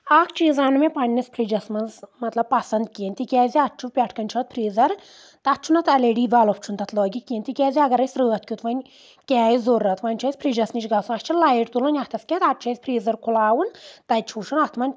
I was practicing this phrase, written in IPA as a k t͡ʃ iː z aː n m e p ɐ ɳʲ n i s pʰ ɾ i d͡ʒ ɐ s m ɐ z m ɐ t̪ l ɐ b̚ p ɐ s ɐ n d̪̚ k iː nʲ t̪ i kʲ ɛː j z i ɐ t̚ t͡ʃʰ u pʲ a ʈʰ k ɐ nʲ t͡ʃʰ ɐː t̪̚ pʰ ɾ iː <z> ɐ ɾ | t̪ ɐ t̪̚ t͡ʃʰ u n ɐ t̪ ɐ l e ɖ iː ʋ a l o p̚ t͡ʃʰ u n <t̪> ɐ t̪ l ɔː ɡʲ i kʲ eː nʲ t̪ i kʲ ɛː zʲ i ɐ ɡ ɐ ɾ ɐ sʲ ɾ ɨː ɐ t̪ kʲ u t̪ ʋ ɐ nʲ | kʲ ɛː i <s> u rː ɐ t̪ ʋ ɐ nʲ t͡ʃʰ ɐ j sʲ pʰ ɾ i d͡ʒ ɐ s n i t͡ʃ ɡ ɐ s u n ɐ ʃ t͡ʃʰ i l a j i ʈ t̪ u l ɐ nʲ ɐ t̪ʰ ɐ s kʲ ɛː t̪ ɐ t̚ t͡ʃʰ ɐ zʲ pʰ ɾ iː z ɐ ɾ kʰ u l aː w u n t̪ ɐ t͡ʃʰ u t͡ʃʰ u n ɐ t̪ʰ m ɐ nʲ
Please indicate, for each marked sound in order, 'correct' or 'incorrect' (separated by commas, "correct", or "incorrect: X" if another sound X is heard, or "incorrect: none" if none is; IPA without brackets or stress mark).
correct, correct, incorrect: z